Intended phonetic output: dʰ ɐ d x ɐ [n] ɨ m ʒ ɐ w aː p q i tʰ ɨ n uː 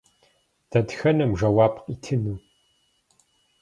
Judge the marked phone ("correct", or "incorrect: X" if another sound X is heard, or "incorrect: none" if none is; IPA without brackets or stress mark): correct